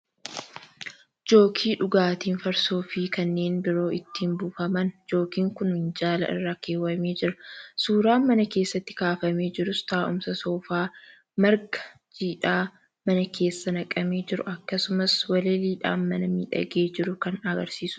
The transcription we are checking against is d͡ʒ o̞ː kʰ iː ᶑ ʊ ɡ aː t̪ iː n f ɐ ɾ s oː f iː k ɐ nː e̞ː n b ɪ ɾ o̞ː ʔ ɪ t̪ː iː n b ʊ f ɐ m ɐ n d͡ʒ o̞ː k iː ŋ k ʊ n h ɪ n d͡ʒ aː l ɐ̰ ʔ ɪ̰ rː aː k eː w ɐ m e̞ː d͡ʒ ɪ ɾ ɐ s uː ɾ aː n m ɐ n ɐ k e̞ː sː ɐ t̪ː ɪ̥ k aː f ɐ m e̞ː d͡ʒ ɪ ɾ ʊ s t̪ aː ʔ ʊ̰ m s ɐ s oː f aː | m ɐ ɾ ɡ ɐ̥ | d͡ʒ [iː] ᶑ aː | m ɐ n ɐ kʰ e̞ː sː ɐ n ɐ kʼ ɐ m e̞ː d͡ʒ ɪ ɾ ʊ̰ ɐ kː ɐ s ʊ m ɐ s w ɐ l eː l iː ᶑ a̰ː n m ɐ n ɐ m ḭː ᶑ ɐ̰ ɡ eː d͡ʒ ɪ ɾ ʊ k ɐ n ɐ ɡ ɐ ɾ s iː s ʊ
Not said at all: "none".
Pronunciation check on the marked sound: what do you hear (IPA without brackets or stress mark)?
iː